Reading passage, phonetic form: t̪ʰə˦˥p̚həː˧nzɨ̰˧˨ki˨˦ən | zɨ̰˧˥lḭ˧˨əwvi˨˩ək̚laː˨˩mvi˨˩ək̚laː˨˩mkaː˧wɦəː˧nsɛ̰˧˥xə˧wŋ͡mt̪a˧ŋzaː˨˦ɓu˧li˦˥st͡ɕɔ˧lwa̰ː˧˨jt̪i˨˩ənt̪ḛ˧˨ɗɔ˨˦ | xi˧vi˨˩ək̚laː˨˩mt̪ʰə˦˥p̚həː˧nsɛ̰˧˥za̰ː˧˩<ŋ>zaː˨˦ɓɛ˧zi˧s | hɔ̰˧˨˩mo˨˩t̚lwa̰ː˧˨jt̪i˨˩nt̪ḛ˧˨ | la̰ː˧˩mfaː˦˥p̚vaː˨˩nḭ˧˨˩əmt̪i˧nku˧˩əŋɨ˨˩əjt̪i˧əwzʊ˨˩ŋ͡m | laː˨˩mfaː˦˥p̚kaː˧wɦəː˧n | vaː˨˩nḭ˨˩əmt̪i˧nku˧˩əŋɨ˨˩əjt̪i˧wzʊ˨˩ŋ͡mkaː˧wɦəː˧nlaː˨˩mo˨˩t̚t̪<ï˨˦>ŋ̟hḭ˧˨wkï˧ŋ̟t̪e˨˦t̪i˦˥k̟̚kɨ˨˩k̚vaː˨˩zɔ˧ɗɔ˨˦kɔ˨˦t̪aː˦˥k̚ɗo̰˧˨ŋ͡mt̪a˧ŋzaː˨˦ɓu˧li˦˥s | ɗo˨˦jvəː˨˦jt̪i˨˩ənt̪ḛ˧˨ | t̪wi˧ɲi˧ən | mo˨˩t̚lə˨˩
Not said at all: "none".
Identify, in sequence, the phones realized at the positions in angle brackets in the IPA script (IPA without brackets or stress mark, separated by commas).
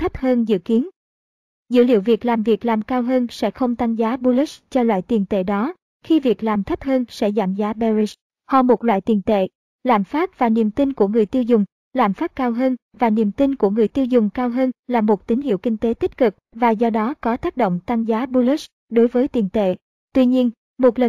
m, ï˨˦